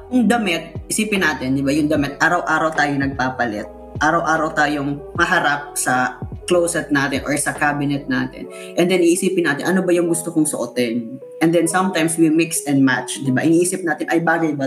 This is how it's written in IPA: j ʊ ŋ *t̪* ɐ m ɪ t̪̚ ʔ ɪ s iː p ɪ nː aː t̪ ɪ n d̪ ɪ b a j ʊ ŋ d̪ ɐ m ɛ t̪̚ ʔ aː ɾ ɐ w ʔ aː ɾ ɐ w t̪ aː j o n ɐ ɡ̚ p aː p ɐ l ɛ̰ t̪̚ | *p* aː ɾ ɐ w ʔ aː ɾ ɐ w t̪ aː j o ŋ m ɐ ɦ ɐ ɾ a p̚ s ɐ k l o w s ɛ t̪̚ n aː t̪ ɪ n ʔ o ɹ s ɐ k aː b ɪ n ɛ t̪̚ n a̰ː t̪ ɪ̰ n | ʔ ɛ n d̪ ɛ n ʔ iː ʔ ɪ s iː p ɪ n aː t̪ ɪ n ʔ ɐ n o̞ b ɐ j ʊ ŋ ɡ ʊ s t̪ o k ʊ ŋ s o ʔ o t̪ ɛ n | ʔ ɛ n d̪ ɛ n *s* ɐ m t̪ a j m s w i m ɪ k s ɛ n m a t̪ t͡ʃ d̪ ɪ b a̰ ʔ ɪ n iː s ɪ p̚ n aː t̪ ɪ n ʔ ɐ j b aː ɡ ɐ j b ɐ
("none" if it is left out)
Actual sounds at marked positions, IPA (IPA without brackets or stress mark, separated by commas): d̪, ʔ, s